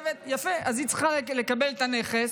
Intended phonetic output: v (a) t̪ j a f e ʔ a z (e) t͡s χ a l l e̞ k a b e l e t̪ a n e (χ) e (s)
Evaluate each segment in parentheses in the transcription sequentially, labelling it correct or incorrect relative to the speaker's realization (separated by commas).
incorrect, incorrect, correct, correct